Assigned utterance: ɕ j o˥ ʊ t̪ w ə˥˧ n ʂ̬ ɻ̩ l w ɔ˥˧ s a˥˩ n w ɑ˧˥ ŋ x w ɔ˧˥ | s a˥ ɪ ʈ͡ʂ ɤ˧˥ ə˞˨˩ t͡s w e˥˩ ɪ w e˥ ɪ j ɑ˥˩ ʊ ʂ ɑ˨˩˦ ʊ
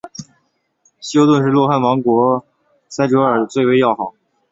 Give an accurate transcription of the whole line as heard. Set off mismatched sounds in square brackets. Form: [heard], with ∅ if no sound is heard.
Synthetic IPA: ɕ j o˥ ʊ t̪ w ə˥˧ n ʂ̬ ɻ̩ l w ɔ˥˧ [x] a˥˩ n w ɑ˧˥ ŋ [k] w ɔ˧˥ | s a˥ ɪ ʈ͡ʂ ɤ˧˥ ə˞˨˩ t͡s w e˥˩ ɪ w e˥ ɪ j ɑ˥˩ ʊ [x] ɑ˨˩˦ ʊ

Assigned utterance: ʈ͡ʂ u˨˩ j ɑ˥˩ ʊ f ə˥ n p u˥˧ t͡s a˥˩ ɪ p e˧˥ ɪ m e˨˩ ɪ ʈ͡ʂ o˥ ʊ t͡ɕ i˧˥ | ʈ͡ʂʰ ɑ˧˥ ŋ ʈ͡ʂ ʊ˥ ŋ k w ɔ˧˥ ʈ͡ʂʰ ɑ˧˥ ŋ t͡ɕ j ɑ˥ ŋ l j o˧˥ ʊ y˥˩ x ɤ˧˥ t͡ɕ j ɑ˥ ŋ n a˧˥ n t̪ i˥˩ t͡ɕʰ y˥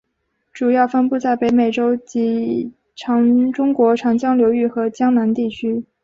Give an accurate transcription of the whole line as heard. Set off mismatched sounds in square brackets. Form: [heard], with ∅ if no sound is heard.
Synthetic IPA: ʈ͡ʂ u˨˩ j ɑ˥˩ ʊ f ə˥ n p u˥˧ t͡s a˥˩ ɪ p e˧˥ ɪ m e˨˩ ɪ ʈ͡ʂ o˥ ʊ t͡ɕ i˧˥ | ʈ͡ʂʰ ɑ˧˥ ŋ ʈ͡ʂ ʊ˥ ŋ k w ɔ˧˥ ʈ͡ʂʰ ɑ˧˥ ŋ t͡ɕ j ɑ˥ ŋ l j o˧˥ ʊ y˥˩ x ɤ˧˥ t͡ɕ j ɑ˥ ŋ n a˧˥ n t̪ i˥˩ t͡ɕʰ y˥

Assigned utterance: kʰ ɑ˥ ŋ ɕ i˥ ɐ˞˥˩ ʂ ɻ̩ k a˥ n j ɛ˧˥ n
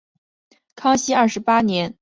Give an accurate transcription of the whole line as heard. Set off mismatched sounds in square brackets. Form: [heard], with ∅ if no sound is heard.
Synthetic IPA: kʰ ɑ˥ ŋ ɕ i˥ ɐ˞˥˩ ʂ ɻ̩ [p] a˥ n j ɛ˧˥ n

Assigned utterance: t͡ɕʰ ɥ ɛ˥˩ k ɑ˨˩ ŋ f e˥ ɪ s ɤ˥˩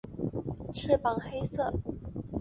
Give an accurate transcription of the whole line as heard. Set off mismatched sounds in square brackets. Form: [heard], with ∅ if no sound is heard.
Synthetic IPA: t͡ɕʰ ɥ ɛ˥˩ [p] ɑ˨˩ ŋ [x] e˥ ɪ s ɤ˥˩

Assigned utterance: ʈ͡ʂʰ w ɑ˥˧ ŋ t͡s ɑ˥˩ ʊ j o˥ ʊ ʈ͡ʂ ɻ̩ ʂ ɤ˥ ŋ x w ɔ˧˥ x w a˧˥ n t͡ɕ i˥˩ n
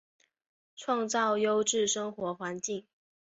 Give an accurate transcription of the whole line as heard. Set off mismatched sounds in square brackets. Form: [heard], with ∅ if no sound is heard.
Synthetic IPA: ʈ͡ʂʰ w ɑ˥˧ ŋ t͡s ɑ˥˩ ʊ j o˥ ʊ ʈ͡ʂ ɻ̩ ʂ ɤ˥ ŋ x w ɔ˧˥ x w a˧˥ n t͡ɕ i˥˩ [ŋ]

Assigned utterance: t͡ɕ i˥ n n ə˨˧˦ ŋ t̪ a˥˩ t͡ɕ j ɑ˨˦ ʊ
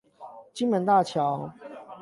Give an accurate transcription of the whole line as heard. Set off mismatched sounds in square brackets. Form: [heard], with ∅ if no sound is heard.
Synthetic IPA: t͡ɕ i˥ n [m] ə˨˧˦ [n] t̪ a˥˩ [t͡ɕʰ] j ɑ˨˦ ʊ

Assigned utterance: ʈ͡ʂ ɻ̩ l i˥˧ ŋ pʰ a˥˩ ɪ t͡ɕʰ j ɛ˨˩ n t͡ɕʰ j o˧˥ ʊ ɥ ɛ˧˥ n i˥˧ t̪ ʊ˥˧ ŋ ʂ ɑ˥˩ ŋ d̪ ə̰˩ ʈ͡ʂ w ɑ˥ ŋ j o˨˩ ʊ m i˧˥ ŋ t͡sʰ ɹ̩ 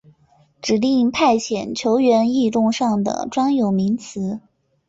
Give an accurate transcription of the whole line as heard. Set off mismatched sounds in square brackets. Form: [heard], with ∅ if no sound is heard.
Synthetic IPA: ʈ͡ʂ ɻ̩ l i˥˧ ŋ pʰ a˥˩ ɪ t͡ɕʰ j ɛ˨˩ n t͡ɕʰ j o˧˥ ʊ ɥ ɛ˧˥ n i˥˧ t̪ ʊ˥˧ ŋ ʂ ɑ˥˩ ŋ d̪ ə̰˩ ʈ͡ʂ w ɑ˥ ŋ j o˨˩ ʊ m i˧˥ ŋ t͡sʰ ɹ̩

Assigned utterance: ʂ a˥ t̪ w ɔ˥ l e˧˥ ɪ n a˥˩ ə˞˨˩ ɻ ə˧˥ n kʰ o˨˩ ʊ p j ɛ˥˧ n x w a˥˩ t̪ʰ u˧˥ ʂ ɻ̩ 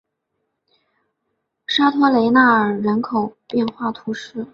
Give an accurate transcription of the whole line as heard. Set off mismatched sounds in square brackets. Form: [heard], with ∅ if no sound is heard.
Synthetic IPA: ʂ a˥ [t̪ʰ] w ɔ˥ l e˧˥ ɪ n a˥˩ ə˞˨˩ ɻ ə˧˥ n kʰ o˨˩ ʊ p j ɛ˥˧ n x w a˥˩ t̪ʰ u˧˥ ʂ ɻ̩

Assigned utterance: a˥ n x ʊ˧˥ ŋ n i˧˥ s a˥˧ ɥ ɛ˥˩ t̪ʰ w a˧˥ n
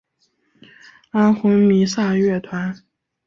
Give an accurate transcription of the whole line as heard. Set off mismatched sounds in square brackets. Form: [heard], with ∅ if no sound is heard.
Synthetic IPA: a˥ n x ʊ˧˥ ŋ [m] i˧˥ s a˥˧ ɥ ɛ˥˩ t̪ʰ w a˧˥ n

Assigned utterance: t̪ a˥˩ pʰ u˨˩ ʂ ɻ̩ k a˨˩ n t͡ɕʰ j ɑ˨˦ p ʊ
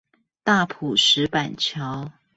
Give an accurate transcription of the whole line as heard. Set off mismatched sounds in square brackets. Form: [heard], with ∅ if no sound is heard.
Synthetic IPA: t̪ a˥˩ pʰ u˨˩ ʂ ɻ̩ [p] a˨˩ n t͡ɕʰ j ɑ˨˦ [∅] ʊ

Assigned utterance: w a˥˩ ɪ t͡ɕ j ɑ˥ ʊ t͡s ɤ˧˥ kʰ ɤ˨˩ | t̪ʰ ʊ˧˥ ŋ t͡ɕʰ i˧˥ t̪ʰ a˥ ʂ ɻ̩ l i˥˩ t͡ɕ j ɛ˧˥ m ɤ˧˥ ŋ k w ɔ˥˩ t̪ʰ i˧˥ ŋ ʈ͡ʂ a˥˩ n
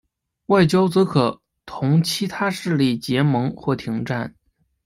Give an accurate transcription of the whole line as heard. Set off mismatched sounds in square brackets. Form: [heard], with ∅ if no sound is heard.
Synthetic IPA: w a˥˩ ɪ t͡ɕ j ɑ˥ ʊ t͡s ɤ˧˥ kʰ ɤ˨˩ | t̪ʰ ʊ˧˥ ŋ t͡ɕʰ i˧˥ t̪ʰ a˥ ʂ ɻ̩ l i˥˩ t͡ɕ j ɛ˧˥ m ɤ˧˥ ŋ [x] w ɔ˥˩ t̪ʰ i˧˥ ŋ ʈ͡ʂ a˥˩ n

